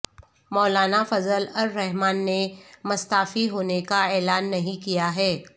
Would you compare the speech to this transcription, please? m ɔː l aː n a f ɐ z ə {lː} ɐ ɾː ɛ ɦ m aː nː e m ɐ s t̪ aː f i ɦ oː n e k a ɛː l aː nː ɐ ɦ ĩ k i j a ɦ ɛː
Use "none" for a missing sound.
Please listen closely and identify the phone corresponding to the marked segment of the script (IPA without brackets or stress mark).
l